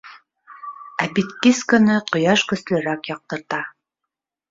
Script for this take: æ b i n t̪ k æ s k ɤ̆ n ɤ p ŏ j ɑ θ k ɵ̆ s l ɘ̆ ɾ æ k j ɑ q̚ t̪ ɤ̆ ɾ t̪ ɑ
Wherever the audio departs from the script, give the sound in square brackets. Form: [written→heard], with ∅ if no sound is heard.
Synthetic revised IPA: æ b i [n→∅] t̪ k [æ→i] s k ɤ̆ n ɤ [p→q] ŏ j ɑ [θ→ʃ] k ɵ̆ s l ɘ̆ ɾ æ k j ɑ q̚ t̪ ɤ̆ ɾ t̪ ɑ